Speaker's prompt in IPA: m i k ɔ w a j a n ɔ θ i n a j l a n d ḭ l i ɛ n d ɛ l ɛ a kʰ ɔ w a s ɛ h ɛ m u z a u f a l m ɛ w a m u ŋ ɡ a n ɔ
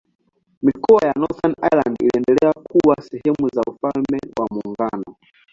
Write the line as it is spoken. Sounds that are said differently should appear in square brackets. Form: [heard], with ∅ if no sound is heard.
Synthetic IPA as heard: m i k ɔ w a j a n ɔ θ [a] n a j l a n d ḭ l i ɛ n d ɛ l ɛ a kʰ [u] w a s ɛ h ɛ m u z a u f a l m ɛ w a m u ŋ ɡ a n ɔ